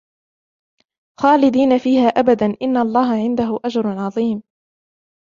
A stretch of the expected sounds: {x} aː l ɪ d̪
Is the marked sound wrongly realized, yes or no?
no